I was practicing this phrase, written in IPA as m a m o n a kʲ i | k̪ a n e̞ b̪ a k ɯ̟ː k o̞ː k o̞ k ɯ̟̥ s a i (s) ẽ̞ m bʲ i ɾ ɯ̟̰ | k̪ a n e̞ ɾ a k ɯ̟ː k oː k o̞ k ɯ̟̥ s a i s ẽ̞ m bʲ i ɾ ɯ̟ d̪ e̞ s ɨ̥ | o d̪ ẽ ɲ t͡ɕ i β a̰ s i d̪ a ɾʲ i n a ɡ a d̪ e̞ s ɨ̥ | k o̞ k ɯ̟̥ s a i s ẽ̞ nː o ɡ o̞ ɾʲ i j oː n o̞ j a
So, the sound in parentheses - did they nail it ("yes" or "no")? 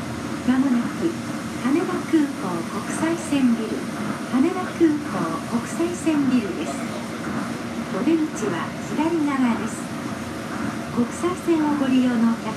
yes